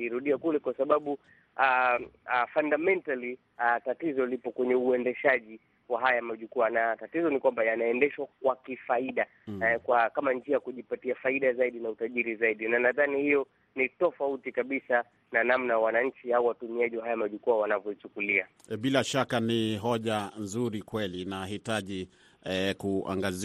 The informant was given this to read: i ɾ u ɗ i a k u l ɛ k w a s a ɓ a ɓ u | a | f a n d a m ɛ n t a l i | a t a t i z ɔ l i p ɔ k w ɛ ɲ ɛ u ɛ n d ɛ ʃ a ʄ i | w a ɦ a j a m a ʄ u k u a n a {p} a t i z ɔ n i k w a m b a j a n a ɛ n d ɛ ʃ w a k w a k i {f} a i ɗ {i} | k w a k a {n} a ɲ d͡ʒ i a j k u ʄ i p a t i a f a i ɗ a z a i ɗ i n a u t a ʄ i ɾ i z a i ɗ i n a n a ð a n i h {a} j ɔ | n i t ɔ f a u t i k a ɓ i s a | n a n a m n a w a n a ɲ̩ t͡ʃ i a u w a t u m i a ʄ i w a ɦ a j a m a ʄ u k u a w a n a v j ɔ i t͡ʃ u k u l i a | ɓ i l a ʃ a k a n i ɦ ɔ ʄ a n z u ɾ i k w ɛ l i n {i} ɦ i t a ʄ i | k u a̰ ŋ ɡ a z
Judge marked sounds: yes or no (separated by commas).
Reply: no, yes, no, no, no, no